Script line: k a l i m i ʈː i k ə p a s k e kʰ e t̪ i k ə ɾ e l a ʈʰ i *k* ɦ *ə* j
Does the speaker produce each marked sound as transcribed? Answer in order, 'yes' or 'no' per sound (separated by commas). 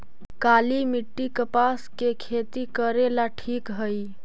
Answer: yes, yes